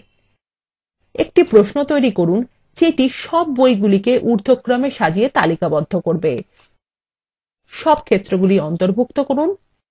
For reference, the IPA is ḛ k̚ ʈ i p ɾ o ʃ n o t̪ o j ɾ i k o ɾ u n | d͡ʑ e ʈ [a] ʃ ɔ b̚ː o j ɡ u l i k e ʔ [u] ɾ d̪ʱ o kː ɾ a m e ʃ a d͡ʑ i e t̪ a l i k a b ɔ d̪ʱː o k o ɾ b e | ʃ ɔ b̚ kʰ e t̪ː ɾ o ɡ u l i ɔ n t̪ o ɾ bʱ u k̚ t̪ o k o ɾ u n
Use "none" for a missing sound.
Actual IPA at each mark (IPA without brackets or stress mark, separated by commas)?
i, u